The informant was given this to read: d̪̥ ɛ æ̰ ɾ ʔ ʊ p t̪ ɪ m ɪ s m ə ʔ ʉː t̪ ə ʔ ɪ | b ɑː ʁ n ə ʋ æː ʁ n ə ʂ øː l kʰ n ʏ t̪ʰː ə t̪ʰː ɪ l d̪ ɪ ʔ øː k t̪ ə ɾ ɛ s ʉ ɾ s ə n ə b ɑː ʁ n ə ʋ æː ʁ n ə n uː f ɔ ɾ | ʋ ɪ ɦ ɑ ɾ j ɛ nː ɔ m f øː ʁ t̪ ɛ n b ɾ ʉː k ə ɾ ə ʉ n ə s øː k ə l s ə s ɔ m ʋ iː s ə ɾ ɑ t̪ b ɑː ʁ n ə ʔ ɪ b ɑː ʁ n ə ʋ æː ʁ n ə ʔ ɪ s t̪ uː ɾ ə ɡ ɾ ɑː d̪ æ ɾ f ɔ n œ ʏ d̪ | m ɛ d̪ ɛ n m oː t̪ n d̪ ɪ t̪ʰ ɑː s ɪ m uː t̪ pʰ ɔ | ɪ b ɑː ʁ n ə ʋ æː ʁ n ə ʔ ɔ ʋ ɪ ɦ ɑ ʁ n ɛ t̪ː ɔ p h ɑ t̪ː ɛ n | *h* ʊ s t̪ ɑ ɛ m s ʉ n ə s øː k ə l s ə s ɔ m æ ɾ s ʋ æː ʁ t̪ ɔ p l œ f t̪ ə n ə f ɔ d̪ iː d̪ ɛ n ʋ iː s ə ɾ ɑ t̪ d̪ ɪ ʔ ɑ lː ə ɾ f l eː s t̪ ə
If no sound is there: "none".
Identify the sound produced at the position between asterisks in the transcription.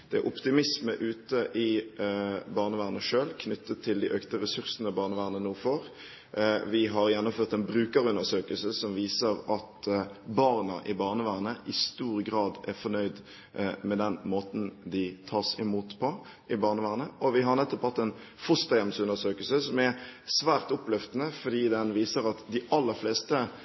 f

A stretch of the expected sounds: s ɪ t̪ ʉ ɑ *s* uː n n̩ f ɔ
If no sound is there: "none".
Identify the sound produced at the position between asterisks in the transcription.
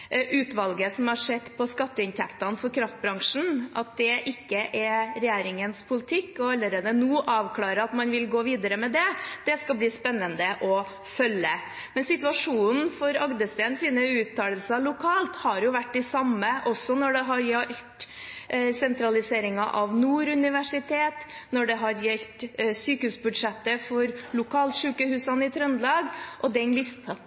ʂ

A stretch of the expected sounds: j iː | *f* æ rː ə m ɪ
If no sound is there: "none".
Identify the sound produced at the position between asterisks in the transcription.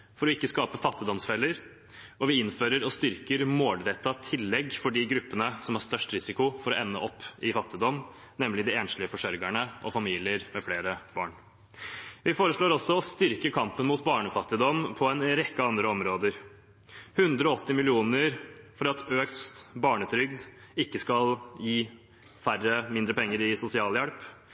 f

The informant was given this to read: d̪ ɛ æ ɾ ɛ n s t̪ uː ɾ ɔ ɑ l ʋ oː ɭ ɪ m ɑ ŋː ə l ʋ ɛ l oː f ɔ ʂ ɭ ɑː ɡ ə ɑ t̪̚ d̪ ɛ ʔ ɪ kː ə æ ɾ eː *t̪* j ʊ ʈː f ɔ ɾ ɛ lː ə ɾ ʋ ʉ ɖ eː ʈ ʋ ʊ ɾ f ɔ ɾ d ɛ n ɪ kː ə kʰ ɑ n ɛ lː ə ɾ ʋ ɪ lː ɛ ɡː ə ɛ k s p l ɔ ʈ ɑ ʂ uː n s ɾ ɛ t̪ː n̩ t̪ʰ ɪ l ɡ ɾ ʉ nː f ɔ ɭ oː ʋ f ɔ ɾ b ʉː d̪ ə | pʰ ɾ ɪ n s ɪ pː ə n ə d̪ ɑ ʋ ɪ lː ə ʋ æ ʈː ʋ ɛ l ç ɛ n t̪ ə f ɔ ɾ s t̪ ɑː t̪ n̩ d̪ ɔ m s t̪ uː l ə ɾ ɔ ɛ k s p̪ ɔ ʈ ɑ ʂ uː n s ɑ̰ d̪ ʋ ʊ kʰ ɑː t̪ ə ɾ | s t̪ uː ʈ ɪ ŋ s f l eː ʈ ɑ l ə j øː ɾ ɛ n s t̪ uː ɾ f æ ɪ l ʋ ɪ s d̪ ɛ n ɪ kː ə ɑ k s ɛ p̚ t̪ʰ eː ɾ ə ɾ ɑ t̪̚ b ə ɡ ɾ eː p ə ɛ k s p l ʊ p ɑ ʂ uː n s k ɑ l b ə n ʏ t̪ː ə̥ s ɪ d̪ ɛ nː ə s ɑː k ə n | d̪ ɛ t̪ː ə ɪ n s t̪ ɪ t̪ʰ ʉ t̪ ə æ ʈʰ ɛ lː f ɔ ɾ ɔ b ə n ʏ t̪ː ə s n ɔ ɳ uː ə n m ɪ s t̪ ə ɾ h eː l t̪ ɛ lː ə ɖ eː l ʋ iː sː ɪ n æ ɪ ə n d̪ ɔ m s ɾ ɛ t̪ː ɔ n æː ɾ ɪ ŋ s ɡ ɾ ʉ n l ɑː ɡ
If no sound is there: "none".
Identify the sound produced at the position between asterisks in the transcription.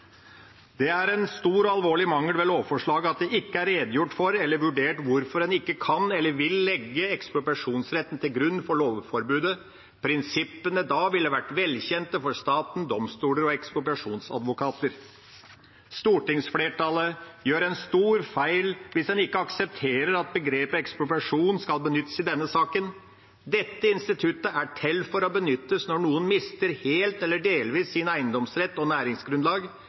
d̪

